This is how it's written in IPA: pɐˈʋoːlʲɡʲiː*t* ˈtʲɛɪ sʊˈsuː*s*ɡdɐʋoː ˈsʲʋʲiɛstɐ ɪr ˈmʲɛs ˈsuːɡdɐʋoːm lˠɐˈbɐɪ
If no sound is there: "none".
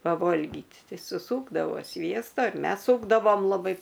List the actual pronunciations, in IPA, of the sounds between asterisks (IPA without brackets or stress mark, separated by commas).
t, none